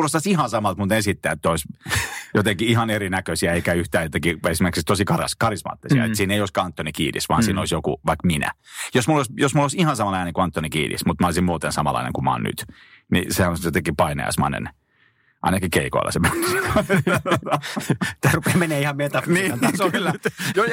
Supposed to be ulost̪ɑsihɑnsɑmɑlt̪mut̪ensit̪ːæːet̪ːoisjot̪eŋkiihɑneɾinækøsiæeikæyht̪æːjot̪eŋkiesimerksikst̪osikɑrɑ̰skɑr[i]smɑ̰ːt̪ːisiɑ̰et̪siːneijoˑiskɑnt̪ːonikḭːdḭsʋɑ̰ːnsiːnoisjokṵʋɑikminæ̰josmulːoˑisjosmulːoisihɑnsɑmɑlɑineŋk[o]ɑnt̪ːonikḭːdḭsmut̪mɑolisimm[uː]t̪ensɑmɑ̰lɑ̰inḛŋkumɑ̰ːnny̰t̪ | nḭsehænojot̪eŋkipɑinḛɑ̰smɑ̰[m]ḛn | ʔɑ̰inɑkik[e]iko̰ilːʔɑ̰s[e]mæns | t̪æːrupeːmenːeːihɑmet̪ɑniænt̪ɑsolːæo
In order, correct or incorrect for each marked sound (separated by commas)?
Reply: correct, incorrect, correct, incorrect, correct, correct